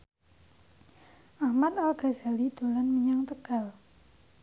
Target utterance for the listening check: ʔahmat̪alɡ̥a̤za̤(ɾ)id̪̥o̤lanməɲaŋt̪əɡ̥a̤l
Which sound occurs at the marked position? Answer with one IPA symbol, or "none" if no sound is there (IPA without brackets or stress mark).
l